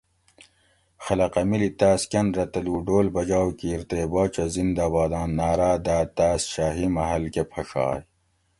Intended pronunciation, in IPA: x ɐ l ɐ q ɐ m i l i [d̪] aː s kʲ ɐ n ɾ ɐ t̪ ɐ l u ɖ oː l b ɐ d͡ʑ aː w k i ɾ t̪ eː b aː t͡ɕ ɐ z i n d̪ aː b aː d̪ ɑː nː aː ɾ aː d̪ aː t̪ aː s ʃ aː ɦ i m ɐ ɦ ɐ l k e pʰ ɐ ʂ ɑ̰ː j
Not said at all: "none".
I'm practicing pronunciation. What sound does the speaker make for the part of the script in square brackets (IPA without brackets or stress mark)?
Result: t̪